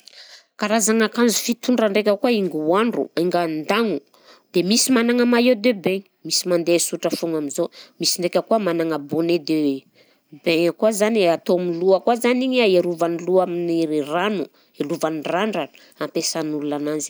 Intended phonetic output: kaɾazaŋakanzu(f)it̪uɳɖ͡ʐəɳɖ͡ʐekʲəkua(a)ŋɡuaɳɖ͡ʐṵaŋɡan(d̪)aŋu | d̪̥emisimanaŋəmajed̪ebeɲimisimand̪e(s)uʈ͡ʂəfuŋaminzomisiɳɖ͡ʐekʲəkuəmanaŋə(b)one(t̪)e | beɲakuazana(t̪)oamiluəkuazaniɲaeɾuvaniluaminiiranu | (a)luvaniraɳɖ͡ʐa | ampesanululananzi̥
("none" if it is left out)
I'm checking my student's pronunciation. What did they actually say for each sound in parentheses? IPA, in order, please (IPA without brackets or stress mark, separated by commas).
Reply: f, i, d̪, s, b, d̪, t̪, e